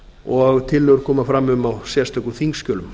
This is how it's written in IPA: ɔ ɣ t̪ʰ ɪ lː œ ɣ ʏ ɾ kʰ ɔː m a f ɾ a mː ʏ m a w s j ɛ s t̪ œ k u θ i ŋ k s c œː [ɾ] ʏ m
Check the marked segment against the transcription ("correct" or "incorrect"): incorrect